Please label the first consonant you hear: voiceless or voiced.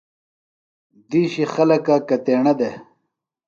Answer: voiced